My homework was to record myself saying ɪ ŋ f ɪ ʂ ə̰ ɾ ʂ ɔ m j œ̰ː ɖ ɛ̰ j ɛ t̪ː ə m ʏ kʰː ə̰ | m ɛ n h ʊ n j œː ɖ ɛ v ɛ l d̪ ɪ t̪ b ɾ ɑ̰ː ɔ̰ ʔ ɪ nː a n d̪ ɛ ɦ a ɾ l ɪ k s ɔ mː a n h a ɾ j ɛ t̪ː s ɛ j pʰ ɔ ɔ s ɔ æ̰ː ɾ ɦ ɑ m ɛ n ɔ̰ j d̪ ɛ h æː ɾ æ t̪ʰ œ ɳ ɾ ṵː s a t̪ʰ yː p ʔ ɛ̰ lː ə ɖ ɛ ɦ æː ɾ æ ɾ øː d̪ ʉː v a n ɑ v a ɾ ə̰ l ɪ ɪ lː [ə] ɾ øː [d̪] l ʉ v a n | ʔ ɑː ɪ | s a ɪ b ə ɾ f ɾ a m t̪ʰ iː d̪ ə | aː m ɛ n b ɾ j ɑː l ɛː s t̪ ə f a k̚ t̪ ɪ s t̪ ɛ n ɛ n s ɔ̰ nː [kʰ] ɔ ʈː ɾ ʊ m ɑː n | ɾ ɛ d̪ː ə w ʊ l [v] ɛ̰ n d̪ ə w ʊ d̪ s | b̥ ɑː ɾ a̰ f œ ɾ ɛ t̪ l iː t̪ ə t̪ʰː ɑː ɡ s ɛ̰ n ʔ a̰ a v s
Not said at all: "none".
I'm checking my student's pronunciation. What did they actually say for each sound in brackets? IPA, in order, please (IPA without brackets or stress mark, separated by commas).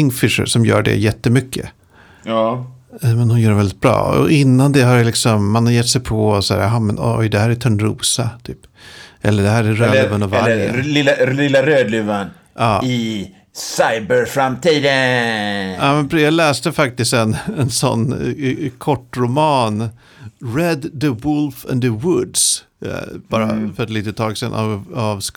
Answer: a, d̪, kʰ, f